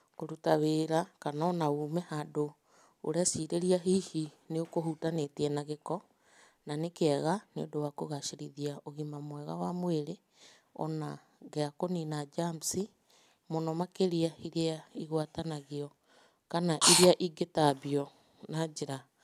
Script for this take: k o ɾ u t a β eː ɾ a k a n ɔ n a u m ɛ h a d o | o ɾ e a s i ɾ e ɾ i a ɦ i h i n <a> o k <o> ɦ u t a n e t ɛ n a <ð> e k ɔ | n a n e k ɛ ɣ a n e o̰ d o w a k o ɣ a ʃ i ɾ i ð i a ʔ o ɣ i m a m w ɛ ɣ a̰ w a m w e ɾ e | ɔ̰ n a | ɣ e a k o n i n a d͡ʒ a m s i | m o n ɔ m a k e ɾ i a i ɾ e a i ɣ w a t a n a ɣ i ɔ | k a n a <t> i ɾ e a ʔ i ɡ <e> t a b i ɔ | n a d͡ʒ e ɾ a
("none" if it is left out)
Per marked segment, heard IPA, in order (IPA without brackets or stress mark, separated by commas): e, o, ɣ, ʔ, e